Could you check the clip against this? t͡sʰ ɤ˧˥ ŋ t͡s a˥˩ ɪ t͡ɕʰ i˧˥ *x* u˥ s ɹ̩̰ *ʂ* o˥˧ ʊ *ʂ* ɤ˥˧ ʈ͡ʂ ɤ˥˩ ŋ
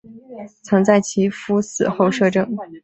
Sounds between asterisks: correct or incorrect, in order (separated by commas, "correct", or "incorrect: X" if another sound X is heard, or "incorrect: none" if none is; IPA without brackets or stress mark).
incorrect: f, incorrect: x, correct